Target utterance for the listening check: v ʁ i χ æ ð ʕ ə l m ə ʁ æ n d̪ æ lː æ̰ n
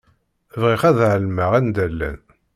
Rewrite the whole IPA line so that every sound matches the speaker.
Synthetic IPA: v ʁ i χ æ ð ʕ ə l m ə ʁ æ n d̪ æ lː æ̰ n